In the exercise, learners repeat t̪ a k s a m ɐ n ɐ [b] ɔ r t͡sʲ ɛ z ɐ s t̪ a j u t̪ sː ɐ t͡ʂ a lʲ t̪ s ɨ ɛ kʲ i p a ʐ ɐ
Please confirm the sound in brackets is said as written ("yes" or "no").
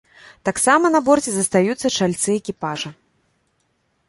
yes